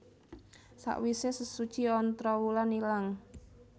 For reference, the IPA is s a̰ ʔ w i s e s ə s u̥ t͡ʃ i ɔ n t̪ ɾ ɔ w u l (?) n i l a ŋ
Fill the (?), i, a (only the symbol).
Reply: a